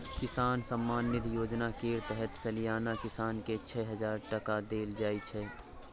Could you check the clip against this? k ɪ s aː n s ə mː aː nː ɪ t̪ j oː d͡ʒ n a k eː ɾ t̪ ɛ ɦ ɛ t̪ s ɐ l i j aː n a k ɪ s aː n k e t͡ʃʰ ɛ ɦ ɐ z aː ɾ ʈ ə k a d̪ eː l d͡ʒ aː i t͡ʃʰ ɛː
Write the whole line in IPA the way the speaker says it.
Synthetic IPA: k ɪ s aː n s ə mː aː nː ɪ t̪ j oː d͡ʒ n a k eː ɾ t̪ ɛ ɦ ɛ t̪ s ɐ l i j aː n a k ɪ s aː n k e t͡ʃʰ ɛ ɦ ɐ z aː ɾ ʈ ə k a d̪ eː l d͡ʒ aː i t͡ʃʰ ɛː

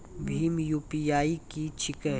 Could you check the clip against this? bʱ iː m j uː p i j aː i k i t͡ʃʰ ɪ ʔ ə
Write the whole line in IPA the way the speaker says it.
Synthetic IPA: bʱ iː m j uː p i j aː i k i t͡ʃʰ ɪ k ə

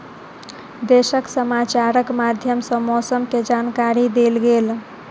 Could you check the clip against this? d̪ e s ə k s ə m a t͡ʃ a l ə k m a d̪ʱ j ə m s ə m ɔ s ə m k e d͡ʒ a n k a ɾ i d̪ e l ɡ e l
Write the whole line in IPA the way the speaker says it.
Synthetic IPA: d̪ e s ə k s ə m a t͡ʃ a ɾ ə k m a d̪ʱ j ə m s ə m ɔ s ə m k e d͡ʒ a n k a ɾ i d̪ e l ɡ e l

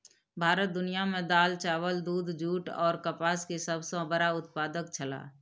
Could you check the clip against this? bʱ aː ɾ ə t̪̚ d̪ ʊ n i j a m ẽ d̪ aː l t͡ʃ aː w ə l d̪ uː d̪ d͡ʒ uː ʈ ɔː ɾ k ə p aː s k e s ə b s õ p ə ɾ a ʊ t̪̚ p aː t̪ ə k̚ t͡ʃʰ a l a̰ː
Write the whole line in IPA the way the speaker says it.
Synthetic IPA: bʱ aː ɾ ə t̪̚ d̪ ʊ n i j a m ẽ d̪ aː l t͡ʃ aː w ə l d̪ uː d̪ d͡ʒ uː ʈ ɔː ɾ k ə p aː s k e s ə b s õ b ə ɾ a ʊ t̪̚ p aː d̪ ə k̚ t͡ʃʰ ə l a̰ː

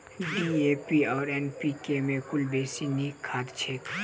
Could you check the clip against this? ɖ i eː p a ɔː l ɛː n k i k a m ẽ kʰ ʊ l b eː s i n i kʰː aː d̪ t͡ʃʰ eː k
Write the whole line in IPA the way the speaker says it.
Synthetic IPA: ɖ i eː p i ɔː ɾ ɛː n p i k e m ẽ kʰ ʊ l b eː s i n i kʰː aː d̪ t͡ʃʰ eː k

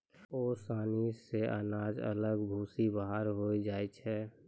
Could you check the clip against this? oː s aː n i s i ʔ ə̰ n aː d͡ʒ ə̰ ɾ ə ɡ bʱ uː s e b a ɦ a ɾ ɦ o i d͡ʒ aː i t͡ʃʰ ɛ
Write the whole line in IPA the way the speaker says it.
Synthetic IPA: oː s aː n i s e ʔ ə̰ n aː d͡ʒ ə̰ l ə ɡ bʱ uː s i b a ɦ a ɾ ɦ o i d͡ʒ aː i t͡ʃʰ ɛ

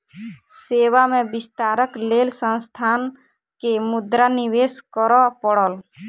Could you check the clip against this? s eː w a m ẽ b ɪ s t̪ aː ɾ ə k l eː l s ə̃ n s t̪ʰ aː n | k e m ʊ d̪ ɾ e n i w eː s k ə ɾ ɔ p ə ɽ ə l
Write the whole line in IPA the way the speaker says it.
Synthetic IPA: s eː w a m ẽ b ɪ s t̪ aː ɾ ə k l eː l s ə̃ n s t̪ʰ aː n | k e m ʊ d̪ ɾ a n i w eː s k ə ɾ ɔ p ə ɽ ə l

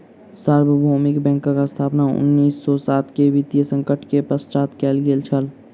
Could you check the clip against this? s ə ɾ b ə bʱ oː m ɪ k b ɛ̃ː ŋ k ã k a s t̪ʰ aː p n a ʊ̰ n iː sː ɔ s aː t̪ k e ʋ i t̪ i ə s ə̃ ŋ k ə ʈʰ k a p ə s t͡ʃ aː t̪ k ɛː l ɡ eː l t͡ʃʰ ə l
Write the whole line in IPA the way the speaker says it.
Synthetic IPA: s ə ɾ b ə bʱ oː m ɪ k b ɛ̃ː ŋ k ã k a s t̪ʰ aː p n a ʊ̰ nː iː sː ɔ s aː t̪ k e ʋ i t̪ j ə s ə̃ ŋ k ə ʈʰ k e p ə s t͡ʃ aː t̪ k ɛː l ɡ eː l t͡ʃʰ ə l

